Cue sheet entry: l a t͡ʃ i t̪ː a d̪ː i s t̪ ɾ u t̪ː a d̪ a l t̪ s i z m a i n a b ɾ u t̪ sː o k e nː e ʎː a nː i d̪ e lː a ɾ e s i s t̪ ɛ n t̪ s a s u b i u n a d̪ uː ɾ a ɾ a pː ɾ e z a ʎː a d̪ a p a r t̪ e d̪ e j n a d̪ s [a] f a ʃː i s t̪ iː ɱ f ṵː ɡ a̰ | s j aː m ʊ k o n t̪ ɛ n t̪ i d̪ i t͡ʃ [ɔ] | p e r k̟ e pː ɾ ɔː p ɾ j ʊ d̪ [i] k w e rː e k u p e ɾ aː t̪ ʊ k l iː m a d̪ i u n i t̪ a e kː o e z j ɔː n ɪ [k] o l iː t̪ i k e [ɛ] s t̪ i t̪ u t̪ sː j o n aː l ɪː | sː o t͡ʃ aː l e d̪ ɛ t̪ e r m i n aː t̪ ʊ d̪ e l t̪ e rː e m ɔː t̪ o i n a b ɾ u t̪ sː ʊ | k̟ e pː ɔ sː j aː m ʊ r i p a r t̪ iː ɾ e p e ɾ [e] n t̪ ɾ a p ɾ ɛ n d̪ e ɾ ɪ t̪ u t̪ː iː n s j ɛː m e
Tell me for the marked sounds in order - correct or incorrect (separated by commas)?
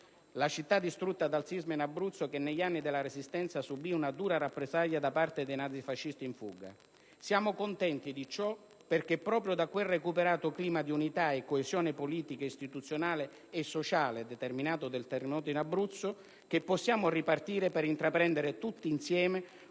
incorrect, correct, incorrect, incorrect, incorrect, incorrect